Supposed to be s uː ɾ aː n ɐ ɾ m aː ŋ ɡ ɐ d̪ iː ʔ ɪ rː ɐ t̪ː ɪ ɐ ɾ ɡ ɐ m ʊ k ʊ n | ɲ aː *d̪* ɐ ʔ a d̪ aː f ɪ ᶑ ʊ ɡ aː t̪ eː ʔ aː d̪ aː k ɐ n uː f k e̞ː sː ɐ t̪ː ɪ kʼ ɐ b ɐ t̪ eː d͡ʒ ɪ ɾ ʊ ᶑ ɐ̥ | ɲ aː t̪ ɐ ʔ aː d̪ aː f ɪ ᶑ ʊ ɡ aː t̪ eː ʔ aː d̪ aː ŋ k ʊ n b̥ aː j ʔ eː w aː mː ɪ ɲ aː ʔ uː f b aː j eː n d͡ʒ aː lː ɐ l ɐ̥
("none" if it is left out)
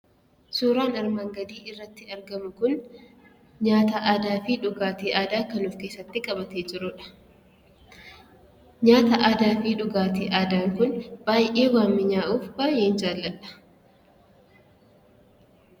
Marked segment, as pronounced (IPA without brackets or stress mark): t̪